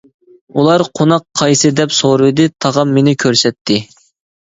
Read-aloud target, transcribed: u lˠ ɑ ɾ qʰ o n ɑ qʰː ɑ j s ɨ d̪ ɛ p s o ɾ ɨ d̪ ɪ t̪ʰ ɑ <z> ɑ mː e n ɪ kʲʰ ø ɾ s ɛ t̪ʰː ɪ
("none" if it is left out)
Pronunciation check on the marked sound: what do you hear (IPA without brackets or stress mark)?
ʁ